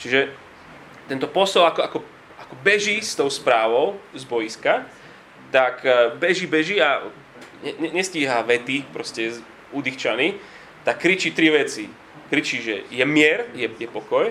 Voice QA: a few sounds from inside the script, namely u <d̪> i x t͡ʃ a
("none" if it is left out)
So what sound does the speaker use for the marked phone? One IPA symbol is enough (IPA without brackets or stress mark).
d̪